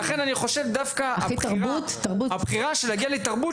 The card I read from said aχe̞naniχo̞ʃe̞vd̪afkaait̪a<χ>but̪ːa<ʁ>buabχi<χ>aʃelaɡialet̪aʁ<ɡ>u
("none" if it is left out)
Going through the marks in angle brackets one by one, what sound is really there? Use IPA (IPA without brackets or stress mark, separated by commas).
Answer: ʁ, ʁ, ʁ, b